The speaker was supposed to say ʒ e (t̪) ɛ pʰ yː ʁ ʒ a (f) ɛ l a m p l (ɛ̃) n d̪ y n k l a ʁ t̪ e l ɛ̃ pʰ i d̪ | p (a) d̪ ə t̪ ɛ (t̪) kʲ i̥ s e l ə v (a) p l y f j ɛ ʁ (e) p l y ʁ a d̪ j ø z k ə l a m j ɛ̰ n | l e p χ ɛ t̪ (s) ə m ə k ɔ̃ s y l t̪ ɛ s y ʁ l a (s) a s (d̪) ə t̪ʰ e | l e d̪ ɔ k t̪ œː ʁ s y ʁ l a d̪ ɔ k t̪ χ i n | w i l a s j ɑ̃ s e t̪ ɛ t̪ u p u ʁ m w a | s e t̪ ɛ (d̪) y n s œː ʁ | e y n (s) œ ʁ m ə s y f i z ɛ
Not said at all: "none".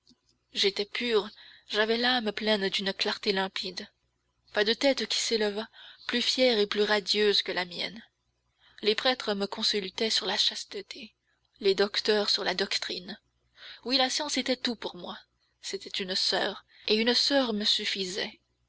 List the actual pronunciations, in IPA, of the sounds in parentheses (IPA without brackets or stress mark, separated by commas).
t̪, v, ɛ, a, t̪, a, e, χ, ʃ, t̪, t̪, s